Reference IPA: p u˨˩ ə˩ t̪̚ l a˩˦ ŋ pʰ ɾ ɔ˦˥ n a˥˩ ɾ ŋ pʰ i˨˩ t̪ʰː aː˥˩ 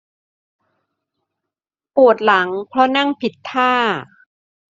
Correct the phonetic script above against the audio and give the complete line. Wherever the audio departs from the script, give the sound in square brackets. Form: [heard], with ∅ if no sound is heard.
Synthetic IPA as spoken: p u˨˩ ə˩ t̪̚ l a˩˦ ŋ pʰ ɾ ɔ˦˥ n a˥˩ [∅] ŋ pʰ i˨˩ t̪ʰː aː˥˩

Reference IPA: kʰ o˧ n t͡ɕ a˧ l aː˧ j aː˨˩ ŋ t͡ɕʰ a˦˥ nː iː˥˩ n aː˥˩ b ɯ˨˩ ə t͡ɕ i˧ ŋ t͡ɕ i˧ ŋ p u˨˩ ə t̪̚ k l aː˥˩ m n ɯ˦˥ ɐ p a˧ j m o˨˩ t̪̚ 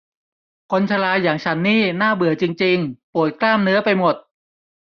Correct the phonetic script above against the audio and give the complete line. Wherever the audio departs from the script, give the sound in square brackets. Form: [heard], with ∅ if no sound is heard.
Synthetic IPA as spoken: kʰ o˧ n [t͡ɕʰ] a˧ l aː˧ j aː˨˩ ŋ t͡ɕʰ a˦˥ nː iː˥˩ n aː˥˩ b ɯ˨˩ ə t͡ɕ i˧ ŋ t͡ɕ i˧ ŋ p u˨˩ ə t̪̚ k l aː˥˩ m n ɯ˦˥ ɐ p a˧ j m o˨˩ t̪̚

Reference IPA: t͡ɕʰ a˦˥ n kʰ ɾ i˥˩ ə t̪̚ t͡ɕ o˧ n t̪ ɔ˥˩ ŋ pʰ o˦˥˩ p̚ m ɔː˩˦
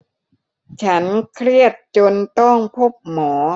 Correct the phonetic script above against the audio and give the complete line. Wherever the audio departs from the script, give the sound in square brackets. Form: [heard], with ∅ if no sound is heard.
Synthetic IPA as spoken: t͡ɕʰ a˦˥ n kʰ ɾ i˥˩ ə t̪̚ t͡ɕ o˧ n t̪ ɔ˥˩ ŋ pʰ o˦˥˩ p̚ m ɔː˩˦

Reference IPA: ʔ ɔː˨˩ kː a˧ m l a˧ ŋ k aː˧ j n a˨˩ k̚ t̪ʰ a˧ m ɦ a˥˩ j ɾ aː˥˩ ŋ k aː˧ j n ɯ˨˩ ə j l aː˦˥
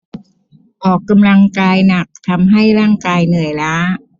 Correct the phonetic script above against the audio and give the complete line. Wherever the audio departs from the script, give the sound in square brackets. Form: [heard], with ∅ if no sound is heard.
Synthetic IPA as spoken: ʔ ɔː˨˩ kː a˧ m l a˧ ŋ k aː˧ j n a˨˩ k̚ t̪ʰ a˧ m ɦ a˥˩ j ɾ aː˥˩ ŋ k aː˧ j n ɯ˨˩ ə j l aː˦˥

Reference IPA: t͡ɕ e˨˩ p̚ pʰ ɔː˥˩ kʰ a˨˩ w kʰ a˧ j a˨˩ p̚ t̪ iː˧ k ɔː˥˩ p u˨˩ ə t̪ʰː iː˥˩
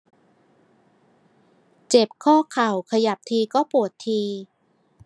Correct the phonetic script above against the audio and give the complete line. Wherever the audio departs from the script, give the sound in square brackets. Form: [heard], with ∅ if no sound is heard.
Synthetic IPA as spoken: t͡ɕ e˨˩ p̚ [kʰ] ɔː˥˩ kʰ a˨˩ w kʰ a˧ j a˨˩ p̚ [t̪ʰ] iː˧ k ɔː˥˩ p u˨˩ ə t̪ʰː [iː˧]

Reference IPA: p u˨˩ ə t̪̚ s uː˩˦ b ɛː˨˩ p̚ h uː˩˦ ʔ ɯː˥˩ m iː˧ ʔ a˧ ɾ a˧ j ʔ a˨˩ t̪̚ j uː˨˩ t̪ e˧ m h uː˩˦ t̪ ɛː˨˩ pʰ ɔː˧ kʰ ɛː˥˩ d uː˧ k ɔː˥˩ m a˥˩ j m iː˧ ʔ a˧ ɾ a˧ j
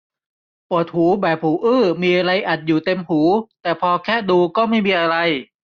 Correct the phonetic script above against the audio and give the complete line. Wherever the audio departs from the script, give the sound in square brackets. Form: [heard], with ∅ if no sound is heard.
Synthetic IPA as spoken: p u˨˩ ə t̪̚ [h] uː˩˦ b ɛː˨˩ p̚ h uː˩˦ ʔ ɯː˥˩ m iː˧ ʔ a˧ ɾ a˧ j ʔ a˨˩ t̪̚ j uː˨˩ t̪ e˧ m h uː˩˦ t̪ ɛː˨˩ pʰ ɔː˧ kʰ ɛː˥˩ d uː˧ k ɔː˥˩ m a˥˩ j m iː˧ ʔ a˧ ɾ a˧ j

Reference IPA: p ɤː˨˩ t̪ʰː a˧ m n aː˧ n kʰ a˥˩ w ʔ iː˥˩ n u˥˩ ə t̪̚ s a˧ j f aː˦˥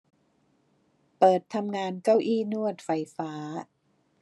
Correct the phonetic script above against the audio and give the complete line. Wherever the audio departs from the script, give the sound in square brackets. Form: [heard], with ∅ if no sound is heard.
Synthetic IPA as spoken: p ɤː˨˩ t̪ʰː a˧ m [ŋ] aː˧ n [k] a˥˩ w ʔ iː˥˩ n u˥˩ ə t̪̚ [f] a˧ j f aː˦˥

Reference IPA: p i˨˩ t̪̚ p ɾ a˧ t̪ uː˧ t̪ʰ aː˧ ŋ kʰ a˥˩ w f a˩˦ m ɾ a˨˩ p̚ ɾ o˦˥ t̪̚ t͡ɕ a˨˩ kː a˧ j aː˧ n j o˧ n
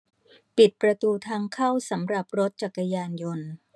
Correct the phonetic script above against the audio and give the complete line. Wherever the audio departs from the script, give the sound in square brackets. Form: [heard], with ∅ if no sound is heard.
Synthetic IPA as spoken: p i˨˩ t̪̚ p ɾ a˧ t̪ uː˧ t̪ʰ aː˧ ŋ kʰ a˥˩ w [s] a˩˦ m ɾ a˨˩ p̚ ɾ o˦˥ t̪̚ t͡ɕ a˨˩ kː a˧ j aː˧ n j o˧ n

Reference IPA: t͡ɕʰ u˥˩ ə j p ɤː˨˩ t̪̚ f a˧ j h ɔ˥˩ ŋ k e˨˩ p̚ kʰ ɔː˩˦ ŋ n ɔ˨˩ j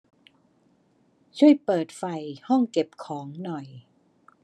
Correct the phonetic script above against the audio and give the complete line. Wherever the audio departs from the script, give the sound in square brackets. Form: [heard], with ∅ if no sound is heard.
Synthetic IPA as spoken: t͡ɕʰ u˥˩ ə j p ɤː˨˩ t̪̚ f [a˨˩] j h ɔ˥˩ ŋ k e˨˩ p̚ kʰ ɔː˩˦ ŋ n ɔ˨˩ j

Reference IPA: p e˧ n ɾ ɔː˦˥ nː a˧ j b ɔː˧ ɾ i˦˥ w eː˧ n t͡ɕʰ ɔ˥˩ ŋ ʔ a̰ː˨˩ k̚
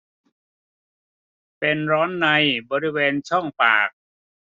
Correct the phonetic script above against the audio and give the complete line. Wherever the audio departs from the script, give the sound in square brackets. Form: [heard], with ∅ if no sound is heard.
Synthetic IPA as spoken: p e˧ n ɾ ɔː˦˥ nː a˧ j b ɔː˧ ɾ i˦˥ w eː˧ n t͡ɕʰ ɔ˥˩ ŋ [p] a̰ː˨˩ k̚

